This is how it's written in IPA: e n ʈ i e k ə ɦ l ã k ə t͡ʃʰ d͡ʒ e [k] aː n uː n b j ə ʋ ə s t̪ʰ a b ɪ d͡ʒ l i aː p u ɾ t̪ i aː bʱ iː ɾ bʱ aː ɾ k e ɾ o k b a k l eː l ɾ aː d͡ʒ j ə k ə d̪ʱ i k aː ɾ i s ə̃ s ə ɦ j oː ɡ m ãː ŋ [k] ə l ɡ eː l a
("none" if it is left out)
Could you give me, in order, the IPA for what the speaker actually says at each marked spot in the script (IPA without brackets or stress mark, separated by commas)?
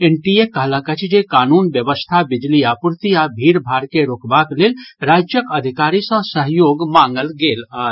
k, ɡ